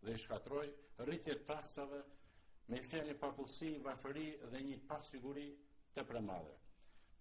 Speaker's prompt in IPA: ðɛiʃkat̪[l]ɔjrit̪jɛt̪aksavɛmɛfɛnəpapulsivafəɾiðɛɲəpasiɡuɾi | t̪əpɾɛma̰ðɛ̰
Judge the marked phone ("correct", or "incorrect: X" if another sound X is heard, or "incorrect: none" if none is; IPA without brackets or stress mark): incorrect: ɾ